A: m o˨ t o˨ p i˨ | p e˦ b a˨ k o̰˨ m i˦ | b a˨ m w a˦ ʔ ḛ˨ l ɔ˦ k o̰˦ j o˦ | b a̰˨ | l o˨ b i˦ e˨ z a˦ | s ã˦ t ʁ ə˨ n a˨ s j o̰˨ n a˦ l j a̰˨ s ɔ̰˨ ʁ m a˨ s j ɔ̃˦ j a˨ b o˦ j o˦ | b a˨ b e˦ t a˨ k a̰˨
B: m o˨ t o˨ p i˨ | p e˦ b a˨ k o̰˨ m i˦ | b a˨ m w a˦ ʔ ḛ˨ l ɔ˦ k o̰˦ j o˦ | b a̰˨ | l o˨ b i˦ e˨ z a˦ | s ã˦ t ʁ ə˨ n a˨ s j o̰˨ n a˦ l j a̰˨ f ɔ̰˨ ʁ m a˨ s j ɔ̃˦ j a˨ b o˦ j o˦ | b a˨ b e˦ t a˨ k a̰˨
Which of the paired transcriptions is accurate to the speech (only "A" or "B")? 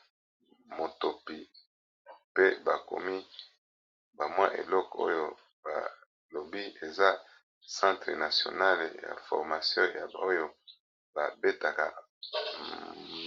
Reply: B